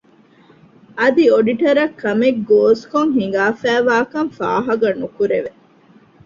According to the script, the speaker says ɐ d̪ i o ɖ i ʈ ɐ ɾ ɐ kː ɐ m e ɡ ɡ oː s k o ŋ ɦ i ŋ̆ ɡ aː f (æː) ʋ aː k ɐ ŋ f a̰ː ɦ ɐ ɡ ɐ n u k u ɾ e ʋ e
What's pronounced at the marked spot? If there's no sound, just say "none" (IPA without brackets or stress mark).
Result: æː